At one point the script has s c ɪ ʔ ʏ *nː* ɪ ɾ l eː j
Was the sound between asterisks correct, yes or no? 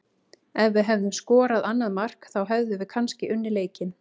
yes